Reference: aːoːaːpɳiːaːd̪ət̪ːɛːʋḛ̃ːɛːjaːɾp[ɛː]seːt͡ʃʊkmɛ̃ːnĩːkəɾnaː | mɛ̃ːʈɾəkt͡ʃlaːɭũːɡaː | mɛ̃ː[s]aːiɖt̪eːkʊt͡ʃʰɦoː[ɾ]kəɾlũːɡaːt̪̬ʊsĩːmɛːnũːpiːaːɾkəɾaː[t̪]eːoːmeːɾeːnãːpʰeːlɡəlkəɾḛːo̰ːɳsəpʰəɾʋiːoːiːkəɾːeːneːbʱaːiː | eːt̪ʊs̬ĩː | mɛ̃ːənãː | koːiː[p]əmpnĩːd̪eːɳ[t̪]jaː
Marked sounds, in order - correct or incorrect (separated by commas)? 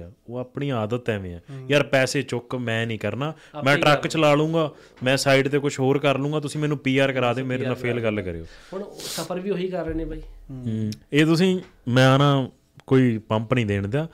correct, correct, correct, incorrect, correct, incorrect